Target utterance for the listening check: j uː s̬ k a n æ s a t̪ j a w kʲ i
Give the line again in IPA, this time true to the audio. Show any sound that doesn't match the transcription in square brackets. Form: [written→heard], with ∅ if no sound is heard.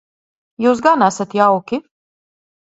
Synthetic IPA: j uː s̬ [k→ɡ] a n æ s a t̪ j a w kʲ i